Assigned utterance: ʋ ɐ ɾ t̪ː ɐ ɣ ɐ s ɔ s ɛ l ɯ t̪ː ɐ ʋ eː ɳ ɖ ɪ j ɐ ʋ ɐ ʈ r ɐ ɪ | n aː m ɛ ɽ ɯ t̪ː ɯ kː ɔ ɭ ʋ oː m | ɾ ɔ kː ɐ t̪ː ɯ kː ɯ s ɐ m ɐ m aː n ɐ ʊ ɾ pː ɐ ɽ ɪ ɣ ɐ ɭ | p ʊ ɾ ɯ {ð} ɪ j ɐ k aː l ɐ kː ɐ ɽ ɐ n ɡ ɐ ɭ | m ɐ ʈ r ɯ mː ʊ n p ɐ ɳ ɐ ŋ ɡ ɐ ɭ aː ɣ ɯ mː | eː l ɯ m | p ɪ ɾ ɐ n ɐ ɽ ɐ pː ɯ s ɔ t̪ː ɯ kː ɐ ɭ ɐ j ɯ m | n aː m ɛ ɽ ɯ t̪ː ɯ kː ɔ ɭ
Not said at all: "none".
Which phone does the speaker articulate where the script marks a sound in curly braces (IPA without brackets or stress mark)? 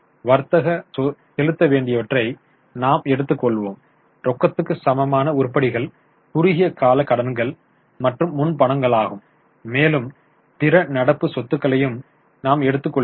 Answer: ɣ